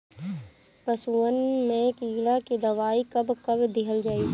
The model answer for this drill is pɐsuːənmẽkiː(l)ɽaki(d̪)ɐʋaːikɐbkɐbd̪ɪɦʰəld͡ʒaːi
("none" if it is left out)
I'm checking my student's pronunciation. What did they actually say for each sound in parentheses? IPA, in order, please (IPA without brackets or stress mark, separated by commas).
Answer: none, d̪